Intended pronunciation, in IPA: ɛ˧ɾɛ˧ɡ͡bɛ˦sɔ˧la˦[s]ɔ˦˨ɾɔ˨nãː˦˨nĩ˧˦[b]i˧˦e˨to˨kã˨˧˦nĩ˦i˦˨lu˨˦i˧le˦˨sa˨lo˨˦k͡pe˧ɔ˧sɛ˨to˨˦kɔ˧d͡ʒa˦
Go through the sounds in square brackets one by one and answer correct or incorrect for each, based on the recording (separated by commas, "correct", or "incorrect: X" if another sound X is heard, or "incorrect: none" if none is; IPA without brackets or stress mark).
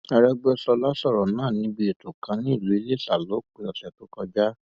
correct, correct